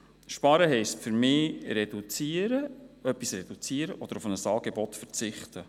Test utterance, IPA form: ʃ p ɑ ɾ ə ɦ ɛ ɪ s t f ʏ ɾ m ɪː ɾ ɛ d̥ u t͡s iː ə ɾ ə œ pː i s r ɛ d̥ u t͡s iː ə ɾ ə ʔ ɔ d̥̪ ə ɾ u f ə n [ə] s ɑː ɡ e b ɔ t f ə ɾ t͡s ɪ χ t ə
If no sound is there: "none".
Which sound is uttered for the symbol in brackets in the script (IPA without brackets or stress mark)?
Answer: ə